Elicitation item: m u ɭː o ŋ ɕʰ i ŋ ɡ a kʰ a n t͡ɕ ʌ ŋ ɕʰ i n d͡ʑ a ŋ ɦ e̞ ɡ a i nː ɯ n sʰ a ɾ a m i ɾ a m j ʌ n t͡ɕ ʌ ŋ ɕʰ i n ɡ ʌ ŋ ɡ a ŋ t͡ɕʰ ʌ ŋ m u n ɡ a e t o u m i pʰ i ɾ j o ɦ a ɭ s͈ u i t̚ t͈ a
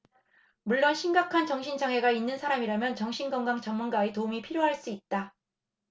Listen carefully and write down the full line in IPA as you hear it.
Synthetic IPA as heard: m u ɭː o n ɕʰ i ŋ ɡ a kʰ a n t͡ɕ ʌ ŋ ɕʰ i n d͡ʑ a ŋ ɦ e̞ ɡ a i nː ɯ n sʰ a ɾ a m i ɾ a m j ʌ n t͡ɕ ʌ ŋ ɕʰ i n ɡ ʌ ŋ ɡ a ŋ t͡ɕ ʌ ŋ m u n ɡ a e t o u m i pʰ i ɾ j o ɦ a ɭ s͈ u i t̚ t͈ a